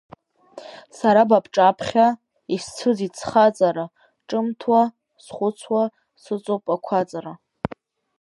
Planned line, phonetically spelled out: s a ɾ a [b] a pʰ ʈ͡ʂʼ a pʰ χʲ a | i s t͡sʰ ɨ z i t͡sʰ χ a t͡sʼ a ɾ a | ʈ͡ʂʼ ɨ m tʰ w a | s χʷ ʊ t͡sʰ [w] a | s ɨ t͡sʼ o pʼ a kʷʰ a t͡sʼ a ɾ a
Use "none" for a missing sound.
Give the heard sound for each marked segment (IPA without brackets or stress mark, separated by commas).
b, w